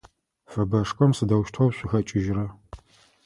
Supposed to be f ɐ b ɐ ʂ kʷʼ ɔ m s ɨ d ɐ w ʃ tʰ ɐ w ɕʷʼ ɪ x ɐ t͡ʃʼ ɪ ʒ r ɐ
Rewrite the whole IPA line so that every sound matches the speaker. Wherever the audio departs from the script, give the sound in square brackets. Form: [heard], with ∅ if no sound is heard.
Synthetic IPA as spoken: f ɐ b ɐ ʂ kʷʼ ɔ m s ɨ d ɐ w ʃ tʰ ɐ w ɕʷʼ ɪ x ɐ t͡ʃʼ ɪ ʒ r ɐ